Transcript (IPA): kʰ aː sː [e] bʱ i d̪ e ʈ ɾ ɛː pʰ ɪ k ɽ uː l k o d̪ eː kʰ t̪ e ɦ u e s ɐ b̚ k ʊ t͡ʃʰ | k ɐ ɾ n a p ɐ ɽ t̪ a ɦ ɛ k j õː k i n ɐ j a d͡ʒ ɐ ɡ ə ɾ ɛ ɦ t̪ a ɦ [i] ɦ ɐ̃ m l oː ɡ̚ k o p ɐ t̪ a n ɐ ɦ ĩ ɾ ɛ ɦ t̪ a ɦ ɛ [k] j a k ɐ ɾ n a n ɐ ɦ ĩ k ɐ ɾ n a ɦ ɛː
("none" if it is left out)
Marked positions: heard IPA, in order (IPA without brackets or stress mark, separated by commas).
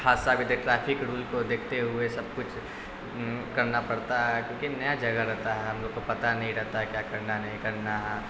a, ɛ, k